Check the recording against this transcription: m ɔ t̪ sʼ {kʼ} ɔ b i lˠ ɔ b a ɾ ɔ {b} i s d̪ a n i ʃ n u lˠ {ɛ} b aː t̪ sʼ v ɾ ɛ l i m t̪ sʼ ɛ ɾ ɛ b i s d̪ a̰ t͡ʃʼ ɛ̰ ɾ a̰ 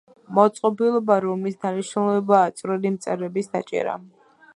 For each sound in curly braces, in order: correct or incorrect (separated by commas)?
incorrect, incorrect, correct